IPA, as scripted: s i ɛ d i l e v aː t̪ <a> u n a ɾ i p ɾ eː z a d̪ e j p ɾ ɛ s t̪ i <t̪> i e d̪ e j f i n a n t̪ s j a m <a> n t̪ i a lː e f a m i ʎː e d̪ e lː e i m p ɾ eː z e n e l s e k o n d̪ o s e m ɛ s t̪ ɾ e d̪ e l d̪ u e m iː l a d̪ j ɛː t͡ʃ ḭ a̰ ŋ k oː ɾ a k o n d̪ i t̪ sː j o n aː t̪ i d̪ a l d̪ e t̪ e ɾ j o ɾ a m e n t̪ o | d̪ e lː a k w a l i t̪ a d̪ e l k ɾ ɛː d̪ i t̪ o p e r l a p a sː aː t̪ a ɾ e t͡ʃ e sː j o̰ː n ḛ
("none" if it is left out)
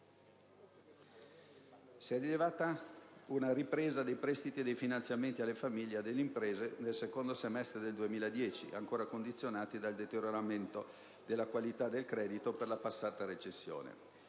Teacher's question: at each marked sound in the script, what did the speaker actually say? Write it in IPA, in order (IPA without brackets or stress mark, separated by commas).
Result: a, t̪, e